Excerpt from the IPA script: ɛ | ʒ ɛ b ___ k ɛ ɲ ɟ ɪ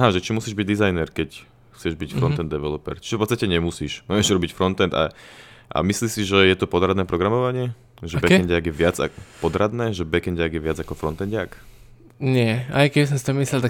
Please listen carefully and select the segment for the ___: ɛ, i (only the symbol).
ɛ